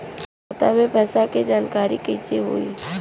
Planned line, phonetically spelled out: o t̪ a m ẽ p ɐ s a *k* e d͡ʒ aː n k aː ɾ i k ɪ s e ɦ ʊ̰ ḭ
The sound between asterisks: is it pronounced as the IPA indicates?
yes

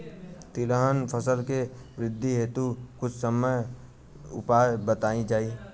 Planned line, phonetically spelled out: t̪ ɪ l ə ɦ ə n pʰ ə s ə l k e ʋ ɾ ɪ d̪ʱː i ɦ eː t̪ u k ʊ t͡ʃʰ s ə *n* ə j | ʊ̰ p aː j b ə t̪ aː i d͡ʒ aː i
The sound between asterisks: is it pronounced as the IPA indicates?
no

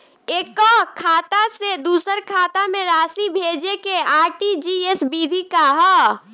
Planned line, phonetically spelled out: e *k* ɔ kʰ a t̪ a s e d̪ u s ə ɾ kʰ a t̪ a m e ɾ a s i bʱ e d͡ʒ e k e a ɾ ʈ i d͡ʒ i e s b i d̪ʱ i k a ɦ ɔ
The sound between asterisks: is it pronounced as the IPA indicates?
yes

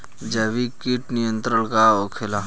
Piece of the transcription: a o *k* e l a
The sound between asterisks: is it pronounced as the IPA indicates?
no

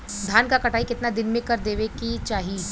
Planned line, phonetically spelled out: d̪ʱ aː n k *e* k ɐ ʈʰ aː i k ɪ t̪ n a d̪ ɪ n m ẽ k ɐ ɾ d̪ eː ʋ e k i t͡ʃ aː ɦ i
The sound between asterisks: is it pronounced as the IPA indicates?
no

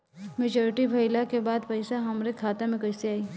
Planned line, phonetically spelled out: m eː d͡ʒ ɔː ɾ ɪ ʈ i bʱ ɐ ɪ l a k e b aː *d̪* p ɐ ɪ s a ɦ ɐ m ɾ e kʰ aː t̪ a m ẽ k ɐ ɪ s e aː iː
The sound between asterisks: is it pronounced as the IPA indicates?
yes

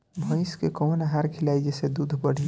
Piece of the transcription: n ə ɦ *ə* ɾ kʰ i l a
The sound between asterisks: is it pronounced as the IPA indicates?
no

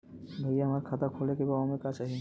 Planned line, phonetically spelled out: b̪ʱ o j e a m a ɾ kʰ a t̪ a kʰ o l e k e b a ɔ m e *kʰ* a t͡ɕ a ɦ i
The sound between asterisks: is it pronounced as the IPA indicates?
no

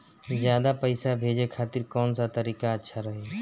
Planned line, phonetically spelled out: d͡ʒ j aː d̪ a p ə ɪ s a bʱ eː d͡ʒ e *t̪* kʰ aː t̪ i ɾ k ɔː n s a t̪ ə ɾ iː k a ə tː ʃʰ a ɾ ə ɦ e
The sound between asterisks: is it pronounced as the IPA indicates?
no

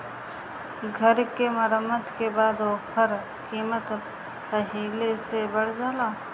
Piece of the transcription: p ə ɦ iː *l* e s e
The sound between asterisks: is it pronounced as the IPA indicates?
yes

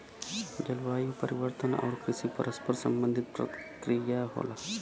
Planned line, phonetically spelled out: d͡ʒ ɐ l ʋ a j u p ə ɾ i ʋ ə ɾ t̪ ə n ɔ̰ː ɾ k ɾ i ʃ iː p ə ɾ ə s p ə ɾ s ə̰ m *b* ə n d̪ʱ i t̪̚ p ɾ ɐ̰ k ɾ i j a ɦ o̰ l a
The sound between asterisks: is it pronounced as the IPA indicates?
yes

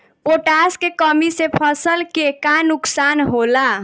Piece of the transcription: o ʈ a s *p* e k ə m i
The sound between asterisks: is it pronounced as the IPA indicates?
no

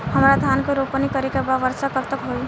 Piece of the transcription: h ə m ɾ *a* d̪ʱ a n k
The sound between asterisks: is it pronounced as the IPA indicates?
yes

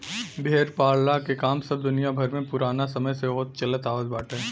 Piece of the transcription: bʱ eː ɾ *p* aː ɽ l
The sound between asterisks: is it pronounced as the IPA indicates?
yes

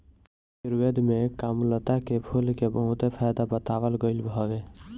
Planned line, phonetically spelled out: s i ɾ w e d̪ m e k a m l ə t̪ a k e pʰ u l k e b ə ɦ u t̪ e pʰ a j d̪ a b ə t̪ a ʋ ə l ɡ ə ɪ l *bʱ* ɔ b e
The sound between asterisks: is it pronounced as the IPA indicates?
yes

